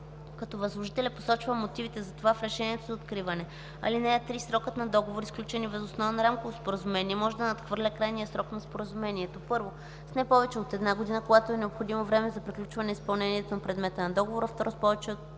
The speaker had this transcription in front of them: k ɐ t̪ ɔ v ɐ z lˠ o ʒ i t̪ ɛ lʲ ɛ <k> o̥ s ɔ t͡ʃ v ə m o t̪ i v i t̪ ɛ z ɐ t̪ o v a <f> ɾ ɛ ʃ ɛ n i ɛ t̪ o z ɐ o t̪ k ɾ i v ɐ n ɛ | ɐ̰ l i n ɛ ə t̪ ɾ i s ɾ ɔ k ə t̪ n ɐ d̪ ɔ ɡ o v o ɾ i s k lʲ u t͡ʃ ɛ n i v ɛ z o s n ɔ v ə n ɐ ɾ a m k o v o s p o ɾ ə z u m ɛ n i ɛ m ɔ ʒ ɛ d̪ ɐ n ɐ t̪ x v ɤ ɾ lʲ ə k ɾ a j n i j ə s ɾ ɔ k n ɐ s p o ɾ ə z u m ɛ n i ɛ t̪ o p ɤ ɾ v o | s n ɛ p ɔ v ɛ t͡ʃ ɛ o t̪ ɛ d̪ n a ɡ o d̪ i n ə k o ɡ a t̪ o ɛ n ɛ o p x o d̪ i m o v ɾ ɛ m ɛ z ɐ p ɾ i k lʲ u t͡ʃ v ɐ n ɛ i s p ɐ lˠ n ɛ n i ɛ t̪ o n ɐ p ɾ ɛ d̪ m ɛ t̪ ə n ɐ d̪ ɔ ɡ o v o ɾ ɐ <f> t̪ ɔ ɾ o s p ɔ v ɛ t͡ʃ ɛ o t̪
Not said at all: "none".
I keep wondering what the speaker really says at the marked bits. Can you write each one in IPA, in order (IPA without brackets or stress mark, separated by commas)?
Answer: p, f, f